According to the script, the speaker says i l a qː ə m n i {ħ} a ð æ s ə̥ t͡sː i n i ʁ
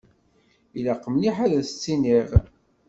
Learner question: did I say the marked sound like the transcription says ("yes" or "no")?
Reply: yes